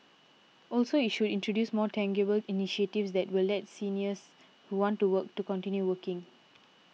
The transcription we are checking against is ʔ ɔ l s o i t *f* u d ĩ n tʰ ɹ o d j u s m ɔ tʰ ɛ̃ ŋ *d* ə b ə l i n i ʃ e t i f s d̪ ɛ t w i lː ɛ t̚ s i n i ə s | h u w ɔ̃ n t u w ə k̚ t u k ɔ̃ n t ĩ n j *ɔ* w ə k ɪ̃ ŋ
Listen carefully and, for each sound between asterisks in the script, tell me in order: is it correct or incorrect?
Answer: incorrect: ʃ, incorrect: ɡ, incorrect: u

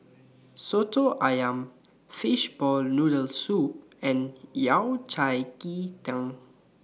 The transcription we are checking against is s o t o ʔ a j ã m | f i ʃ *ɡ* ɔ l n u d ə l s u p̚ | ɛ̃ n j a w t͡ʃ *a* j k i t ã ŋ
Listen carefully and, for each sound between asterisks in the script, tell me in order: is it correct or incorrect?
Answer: incorrect: b, correct

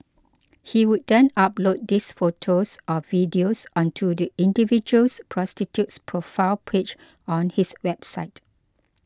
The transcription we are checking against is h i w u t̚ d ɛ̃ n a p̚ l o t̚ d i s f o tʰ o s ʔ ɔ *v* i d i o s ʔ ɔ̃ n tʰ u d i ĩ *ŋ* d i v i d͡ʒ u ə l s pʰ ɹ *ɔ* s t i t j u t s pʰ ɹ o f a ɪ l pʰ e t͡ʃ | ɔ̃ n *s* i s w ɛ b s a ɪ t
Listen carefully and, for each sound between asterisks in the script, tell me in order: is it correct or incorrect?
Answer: correct, incorrect: n, correct, incorrect: h

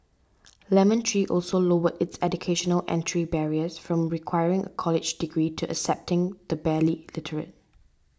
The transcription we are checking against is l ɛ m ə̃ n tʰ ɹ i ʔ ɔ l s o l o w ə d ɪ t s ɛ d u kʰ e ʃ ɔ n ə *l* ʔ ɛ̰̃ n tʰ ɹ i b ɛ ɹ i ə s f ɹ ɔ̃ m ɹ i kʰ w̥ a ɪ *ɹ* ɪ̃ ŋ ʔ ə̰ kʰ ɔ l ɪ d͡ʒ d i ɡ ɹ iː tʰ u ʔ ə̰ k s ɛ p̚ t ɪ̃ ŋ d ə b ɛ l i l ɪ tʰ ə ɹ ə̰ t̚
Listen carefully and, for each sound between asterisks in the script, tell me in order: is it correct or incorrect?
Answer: correct, correct

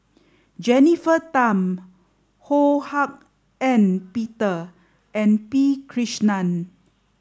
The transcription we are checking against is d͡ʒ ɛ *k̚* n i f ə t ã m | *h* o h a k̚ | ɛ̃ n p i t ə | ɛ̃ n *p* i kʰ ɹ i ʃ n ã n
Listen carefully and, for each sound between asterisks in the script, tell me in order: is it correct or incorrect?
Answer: incorrect: none, correct, correct

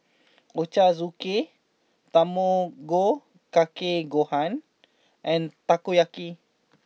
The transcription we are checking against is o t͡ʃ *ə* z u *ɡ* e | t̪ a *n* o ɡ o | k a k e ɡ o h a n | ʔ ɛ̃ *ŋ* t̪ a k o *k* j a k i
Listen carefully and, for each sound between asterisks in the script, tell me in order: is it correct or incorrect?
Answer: incorrect: a, incorrect: k, incorrect: m, incorrect: n, incorrect: none

